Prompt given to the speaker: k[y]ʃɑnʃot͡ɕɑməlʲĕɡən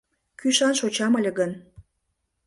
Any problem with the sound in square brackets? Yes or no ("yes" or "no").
no